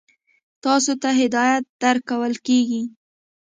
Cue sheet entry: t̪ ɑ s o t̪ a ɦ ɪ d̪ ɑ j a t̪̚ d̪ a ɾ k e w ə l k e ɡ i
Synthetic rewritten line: t̪ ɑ s o t̪ a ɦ ɪ d̪ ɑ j a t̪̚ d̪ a ɾ k a w ə l k e ɡ i